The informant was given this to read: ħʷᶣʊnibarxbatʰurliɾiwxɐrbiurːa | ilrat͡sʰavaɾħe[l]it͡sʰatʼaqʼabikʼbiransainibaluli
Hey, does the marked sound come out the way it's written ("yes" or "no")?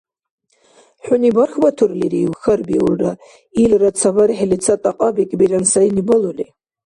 yes